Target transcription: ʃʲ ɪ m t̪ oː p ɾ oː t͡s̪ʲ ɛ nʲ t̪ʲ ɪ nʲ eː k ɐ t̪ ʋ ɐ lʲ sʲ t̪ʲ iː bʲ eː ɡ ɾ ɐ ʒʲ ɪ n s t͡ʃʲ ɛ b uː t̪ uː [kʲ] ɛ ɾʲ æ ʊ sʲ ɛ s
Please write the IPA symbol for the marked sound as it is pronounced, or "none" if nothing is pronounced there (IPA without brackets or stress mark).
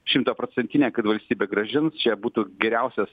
ɡʲ